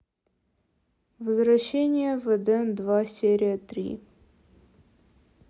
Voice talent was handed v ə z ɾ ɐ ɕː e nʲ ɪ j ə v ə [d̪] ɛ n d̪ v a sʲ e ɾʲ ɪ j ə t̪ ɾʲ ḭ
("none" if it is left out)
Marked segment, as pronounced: d̪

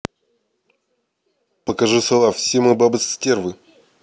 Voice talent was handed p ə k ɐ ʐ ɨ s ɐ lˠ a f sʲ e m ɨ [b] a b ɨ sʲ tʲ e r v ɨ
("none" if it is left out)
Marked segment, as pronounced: b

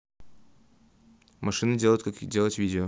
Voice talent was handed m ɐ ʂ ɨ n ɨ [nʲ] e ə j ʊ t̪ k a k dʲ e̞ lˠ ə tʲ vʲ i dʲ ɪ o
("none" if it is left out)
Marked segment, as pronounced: dʲ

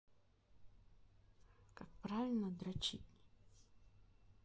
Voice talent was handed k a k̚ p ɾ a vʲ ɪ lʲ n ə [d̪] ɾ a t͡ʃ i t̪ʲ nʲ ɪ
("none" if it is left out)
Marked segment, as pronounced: d̪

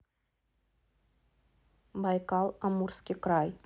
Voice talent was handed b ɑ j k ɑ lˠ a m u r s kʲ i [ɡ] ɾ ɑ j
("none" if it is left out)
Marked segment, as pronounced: k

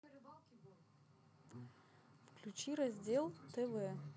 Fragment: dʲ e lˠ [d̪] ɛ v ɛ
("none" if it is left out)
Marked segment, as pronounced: t̪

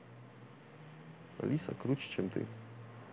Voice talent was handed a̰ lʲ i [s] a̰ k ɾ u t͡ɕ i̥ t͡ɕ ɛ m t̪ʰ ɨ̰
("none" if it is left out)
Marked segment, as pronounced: s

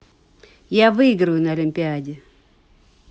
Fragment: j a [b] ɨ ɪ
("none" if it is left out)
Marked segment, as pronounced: v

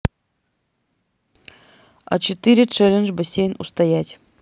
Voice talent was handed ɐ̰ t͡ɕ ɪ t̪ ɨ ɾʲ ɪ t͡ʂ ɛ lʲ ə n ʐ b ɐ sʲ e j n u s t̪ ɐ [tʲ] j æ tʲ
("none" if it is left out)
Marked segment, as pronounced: none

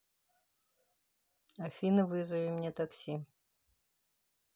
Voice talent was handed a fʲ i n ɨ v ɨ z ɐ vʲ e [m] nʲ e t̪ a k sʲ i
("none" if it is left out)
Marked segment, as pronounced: m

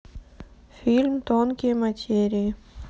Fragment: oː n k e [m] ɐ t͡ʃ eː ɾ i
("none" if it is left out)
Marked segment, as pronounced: m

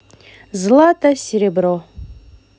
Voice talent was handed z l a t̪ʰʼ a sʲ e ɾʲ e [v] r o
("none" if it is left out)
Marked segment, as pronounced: b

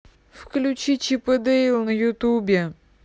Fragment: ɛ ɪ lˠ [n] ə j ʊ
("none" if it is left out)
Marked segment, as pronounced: n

